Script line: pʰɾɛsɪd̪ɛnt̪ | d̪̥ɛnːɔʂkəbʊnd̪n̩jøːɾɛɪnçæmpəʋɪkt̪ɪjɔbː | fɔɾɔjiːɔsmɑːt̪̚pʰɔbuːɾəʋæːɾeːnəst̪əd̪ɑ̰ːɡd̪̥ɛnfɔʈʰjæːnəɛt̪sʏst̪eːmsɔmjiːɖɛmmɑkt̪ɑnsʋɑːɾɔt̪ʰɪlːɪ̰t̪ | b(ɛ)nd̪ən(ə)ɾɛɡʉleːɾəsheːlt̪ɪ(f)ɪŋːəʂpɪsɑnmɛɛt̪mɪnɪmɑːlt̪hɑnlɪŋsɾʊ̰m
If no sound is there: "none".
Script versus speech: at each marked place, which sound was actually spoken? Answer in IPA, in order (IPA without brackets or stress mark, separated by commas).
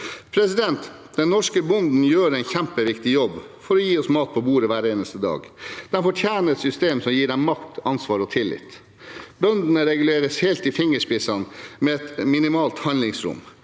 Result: œ, ə, f